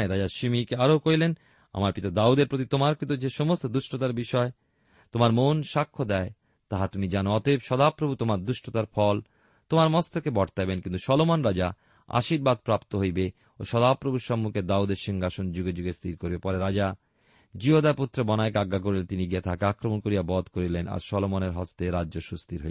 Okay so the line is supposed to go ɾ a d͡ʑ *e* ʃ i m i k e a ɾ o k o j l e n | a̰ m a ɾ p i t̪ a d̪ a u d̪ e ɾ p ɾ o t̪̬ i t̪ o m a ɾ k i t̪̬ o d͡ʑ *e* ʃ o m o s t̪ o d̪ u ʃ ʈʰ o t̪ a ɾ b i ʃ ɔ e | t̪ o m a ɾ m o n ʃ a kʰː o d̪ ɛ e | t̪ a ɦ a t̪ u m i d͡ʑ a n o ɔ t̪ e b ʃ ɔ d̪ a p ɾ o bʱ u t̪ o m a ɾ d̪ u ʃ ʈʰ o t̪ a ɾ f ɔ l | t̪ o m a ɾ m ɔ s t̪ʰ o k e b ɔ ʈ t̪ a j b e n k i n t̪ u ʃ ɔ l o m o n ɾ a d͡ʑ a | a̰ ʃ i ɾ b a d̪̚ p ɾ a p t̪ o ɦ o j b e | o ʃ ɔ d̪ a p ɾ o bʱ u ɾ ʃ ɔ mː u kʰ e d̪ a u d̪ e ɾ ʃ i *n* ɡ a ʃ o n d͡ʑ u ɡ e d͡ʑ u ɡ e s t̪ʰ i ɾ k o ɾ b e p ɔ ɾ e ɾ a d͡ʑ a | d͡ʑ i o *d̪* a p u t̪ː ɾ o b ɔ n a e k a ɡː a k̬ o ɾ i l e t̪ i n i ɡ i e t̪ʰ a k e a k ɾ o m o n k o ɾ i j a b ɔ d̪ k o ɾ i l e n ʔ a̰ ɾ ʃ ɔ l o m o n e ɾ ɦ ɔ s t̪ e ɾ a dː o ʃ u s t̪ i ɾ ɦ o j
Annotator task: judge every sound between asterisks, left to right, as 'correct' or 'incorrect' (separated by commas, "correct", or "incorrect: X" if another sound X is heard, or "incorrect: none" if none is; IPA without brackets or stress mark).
incorrect: a, correct, incorrect: ŋ, correct